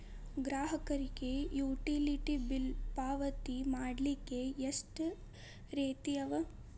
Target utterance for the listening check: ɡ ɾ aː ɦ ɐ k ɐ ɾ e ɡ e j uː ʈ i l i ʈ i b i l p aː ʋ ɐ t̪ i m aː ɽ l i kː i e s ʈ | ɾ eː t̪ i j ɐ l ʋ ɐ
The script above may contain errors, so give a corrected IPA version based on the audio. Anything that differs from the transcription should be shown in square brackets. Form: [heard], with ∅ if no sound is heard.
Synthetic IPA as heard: ɡ ɾ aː ɦ ɐ k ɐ ɾ [i] ɡ e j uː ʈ i l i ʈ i b i l p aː ʋ ɐ t̪ i m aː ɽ l i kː [e] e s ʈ | ɾ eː t̪ i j ɐ [∅] ʋ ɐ